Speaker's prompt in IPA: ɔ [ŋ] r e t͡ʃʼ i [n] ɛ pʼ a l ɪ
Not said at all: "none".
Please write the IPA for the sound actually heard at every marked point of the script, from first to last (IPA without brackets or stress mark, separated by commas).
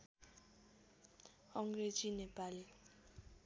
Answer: ŋ, n